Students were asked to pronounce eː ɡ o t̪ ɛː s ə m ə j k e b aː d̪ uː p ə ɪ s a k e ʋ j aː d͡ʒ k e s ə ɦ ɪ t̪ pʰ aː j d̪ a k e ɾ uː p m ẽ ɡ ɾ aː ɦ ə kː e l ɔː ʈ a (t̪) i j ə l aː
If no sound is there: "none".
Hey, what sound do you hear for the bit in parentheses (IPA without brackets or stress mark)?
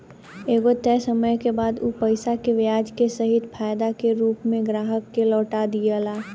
d̪